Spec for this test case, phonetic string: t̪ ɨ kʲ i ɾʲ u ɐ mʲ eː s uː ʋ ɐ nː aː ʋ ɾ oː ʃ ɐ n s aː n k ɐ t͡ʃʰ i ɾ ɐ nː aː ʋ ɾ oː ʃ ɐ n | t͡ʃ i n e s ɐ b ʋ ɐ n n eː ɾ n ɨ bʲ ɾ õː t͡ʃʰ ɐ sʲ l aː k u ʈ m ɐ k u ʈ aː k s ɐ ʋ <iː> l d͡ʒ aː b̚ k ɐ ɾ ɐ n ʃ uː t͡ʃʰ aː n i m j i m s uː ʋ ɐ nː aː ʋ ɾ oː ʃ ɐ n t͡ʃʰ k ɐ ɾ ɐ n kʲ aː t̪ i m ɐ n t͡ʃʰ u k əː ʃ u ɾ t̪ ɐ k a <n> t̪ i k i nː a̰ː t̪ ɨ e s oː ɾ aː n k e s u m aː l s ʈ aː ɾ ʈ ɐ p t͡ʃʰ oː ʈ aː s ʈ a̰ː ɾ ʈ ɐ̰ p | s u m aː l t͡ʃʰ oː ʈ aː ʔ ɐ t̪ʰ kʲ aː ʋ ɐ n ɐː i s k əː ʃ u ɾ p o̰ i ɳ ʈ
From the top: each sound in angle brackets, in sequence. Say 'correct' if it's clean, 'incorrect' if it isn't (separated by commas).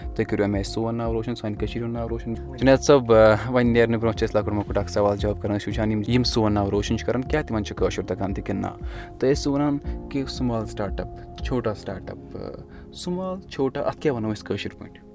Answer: incorrect, correct